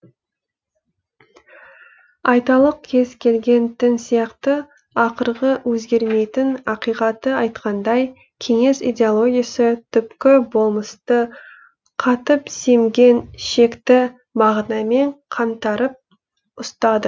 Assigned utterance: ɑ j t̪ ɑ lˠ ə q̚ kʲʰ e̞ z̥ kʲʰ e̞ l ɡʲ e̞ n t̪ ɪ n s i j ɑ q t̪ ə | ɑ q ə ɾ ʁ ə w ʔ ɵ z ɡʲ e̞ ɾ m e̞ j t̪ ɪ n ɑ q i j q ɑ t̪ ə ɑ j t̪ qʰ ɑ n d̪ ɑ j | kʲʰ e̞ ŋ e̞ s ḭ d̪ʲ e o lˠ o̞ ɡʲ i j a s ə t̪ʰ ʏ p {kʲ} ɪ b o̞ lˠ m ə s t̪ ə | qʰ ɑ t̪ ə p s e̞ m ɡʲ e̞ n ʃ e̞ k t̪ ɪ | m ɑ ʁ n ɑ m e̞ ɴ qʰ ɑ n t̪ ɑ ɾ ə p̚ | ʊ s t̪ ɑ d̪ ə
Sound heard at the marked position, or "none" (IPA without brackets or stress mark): kʲ